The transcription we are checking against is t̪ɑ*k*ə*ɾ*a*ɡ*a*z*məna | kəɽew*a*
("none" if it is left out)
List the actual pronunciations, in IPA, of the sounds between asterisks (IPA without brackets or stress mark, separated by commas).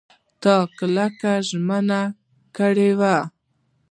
k, l, k, ʒ, a